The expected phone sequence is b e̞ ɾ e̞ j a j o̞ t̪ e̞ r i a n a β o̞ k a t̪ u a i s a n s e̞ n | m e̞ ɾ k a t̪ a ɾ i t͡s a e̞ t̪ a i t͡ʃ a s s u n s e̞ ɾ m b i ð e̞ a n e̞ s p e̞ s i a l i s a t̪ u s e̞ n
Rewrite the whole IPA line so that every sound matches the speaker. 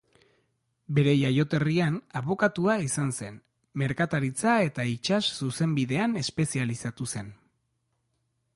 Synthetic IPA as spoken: b e̞ ɾ e̞ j a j o̞ t̪ e̞ r i a n a β o̞ k a t̪ u a i s a n s e̞ n | m e̞ ɾ k a t̪ a ɾ i t͡s a e̞ t̪ a i t͡ʃ a s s u s e̞ m b i ð e̞ a n e̞ s p e̞ s i a l i s a t̪ u s e̞ n